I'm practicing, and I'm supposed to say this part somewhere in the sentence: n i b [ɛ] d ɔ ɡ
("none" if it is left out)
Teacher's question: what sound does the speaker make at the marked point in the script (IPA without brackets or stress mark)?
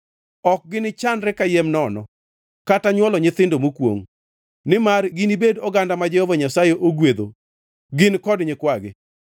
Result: e